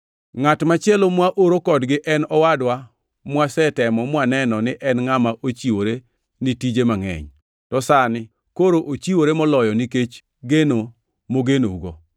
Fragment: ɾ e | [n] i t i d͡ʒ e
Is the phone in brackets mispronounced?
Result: no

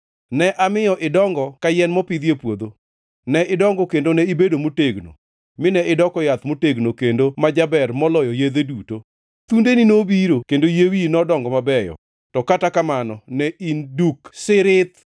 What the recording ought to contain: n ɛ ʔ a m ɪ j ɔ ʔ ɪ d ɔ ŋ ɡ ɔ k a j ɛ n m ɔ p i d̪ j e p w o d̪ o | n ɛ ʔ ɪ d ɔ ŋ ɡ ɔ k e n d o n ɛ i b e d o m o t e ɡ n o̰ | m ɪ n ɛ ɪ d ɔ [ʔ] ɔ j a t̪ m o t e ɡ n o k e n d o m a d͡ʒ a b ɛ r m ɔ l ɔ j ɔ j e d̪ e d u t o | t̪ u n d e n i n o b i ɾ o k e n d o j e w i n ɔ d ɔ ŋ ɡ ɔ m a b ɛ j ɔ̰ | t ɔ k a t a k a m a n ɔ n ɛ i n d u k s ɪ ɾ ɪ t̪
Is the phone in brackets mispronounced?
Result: yes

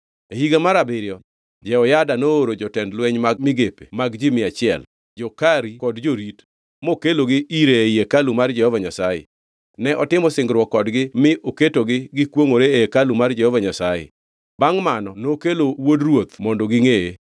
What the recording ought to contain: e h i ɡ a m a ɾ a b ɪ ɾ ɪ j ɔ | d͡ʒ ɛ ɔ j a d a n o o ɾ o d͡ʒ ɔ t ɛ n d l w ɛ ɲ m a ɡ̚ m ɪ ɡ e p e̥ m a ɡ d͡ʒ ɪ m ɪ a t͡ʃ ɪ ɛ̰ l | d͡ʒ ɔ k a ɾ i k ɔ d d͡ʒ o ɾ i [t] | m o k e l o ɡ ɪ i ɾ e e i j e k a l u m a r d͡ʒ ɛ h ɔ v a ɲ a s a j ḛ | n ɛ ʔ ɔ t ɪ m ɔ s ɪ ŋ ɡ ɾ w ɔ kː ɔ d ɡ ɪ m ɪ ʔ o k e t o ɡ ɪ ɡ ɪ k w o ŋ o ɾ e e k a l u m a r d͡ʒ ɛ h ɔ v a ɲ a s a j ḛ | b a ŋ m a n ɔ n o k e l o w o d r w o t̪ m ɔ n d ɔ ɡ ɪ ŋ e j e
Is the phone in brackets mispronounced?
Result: no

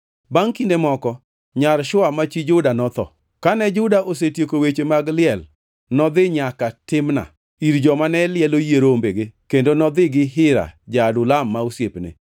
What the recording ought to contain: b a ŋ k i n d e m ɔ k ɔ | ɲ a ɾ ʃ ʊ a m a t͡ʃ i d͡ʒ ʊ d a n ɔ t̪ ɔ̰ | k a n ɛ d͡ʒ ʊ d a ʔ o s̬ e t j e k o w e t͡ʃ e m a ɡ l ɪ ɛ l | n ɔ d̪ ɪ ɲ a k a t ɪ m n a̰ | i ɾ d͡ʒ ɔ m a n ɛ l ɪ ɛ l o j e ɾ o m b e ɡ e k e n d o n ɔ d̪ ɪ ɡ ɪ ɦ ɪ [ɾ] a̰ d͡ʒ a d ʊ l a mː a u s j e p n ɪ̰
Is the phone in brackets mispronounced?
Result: no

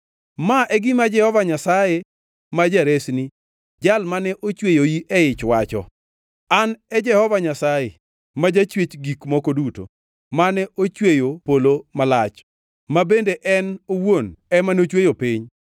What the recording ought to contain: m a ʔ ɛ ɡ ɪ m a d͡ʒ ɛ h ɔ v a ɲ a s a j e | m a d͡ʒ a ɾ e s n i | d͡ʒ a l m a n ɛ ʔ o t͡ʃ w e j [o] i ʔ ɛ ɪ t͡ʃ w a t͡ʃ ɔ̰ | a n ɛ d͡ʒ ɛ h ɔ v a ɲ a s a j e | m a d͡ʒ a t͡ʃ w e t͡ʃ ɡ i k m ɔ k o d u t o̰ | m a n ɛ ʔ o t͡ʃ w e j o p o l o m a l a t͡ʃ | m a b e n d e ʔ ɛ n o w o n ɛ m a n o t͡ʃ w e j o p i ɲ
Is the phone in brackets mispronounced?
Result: no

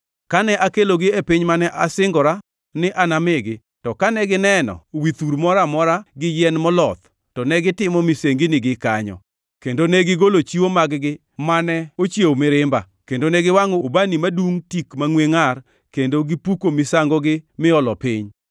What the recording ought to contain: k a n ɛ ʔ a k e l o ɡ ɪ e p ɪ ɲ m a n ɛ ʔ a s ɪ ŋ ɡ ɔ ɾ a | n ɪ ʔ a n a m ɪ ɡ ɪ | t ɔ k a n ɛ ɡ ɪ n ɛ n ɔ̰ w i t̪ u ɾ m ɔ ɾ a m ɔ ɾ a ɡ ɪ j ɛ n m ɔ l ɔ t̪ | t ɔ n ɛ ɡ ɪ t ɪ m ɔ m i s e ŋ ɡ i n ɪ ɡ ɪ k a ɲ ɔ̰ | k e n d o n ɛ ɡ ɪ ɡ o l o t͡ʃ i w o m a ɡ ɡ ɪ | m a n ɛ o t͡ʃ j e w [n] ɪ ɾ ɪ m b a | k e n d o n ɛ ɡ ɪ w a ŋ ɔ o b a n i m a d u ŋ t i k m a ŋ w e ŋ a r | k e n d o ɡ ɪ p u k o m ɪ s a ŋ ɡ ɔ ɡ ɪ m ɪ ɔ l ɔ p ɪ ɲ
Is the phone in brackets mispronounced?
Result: yes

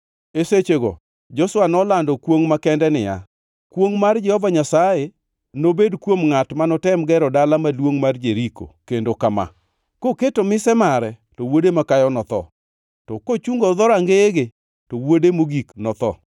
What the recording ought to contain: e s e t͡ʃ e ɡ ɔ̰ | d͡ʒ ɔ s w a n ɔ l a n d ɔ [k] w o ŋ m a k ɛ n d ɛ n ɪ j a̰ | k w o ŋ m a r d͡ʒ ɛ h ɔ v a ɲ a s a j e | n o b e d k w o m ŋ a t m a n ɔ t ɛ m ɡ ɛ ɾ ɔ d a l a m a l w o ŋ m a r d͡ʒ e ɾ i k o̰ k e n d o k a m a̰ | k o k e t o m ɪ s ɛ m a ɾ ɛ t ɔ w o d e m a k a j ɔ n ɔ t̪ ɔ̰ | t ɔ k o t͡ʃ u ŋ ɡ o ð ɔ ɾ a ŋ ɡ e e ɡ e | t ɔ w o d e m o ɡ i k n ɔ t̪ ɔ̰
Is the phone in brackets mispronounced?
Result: no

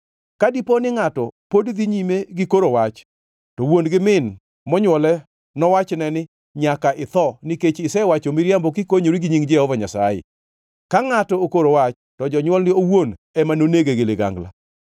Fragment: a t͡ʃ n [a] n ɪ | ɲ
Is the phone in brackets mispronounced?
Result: yes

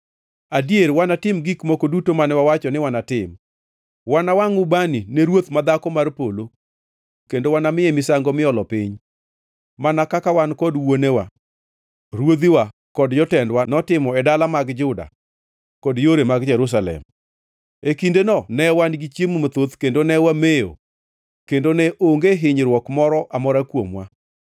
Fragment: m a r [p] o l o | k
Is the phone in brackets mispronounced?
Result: no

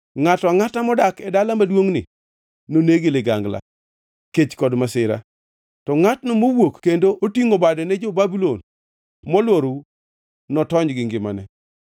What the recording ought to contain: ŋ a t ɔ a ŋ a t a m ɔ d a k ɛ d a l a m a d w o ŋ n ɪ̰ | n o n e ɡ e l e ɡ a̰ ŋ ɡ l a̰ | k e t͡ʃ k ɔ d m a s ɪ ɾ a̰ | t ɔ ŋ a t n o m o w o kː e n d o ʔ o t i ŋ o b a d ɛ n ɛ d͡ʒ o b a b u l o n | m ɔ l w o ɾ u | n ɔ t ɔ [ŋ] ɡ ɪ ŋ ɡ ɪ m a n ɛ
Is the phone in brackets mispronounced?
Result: yes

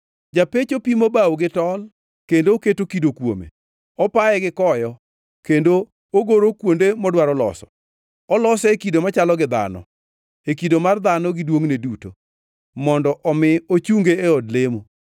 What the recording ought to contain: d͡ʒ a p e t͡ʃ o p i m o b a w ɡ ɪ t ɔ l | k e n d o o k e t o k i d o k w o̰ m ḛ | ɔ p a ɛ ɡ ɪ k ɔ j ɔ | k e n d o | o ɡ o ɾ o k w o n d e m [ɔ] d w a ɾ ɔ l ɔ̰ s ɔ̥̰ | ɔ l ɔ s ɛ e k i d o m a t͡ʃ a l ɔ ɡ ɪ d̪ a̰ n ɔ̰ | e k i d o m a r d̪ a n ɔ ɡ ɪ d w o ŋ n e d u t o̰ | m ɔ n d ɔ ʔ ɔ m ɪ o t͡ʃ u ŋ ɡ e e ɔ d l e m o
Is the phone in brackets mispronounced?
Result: no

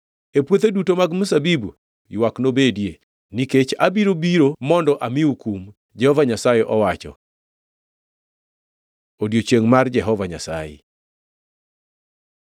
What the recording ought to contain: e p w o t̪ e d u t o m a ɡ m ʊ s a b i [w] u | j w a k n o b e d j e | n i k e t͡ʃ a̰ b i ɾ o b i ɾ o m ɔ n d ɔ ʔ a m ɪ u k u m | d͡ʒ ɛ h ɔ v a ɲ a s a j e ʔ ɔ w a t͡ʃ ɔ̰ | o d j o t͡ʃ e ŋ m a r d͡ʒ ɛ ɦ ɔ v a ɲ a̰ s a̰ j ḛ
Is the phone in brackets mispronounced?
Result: yes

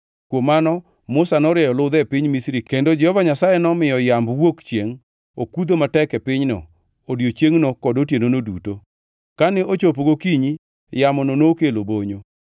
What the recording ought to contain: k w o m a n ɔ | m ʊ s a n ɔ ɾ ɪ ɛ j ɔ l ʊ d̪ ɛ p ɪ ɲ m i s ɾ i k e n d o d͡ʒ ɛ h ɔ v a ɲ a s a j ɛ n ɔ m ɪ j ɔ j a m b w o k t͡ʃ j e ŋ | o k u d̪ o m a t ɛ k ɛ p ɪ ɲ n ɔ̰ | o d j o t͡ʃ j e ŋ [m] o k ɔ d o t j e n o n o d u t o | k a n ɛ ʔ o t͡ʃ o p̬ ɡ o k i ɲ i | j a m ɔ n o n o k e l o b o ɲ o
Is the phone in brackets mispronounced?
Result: yes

